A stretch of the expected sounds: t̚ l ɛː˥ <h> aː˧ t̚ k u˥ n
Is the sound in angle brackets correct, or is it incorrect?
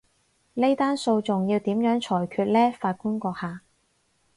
incorrect